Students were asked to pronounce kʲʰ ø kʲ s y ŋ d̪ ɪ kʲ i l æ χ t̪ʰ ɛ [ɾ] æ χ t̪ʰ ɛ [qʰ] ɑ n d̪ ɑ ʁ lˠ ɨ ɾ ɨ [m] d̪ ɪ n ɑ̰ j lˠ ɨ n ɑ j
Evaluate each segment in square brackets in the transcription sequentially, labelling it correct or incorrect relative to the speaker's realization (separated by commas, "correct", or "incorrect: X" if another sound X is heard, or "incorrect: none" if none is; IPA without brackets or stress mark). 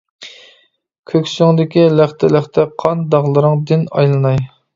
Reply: incorrect: l, correct, incorrect: ŋ